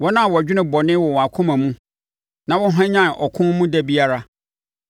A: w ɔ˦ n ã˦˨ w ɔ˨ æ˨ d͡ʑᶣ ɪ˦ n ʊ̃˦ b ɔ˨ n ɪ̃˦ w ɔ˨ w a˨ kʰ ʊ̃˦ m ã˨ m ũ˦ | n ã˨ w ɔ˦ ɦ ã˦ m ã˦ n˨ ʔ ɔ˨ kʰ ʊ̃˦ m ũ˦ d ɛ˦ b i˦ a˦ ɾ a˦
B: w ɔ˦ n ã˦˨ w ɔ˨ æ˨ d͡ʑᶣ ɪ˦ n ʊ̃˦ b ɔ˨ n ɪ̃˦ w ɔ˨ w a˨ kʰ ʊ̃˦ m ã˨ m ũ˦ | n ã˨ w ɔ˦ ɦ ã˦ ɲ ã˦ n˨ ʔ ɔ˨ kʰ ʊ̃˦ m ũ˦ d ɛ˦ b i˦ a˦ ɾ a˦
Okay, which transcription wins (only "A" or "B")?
B